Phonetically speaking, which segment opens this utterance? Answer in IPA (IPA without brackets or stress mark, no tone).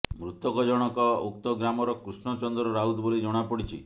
m